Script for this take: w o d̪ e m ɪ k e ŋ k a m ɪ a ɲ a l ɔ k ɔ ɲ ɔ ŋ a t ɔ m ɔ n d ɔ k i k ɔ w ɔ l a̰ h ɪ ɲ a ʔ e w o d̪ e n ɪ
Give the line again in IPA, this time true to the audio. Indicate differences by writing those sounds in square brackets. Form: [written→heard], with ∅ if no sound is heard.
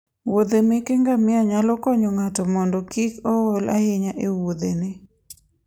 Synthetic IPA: w o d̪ e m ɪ k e ŋ [k→ɡ] a m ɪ a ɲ a l ɔ k ɔ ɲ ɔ ŋ a t ɔ m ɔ n d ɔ k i k ɔ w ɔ l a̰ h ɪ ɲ a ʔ e w o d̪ e n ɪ